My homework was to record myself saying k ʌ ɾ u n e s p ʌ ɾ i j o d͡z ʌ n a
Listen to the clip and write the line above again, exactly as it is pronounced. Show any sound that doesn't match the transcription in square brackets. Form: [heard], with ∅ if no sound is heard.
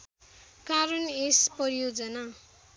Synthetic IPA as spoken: k [a] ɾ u n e s p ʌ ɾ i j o d͡z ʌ n a